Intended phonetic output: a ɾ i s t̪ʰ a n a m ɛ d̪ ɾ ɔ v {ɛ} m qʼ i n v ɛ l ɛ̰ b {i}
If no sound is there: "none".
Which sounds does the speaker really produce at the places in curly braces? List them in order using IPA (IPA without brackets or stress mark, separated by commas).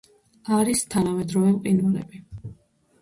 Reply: ɛ, i